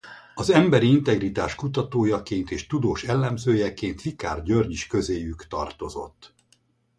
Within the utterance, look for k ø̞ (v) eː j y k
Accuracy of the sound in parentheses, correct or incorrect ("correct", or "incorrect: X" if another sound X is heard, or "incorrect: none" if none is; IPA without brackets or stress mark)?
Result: incorrect: z